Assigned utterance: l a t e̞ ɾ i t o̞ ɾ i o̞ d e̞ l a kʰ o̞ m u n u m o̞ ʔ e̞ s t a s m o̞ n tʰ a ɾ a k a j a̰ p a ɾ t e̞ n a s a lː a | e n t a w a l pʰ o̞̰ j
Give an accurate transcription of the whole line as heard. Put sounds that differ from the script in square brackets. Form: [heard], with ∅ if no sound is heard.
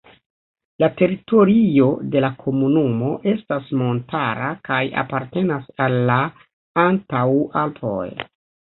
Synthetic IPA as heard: l a t e̞ ɾ i t o̞ ɾ i o̞ d e̞ l a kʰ o̞ m u n u m o̞ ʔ e̞ s t a s m o̞ n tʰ a ɾ a k a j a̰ p a ɾ t e̞ n a s a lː a | [a] n t a w a l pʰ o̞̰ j